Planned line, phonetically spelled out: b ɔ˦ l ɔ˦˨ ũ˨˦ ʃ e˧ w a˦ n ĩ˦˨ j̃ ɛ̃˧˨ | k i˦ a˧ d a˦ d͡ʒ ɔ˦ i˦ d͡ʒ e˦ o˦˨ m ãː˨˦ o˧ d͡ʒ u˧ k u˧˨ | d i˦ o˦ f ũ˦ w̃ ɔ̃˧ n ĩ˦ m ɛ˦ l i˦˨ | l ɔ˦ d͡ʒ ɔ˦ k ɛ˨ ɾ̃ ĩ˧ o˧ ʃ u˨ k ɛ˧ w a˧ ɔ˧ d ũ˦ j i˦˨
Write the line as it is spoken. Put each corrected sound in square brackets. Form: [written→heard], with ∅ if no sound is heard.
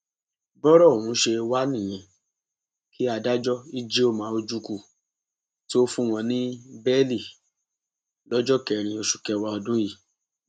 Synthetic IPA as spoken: b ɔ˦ [l→ɾ] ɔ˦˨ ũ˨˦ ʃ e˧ w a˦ n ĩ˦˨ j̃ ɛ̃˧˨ | k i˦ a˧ d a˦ d͡ʒ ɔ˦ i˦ d͡ʒ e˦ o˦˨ m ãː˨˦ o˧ d͡ʒ u˧ k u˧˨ | [d→t] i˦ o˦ f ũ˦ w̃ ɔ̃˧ n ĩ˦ [m→b] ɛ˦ l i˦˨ | l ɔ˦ d͡ʒ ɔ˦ k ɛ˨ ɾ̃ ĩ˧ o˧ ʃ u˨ k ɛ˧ w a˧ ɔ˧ d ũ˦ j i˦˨